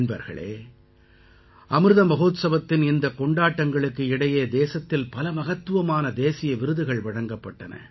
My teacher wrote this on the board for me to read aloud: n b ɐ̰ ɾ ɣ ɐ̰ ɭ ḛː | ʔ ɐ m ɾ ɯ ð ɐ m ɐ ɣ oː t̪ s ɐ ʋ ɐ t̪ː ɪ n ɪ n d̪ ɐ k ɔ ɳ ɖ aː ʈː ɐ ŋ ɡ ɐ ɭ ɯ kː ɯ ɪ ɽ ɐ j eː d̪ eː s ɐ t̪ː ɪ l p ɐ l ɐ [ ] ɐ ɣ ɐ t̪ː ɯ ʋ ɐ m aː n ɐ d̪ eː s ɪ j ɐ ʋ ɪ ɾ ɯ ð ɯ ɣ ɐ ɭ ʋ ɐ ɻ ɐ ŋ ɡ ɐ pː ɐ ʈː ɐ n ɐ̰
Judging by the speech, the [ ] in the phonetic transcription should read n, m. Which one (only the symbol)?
m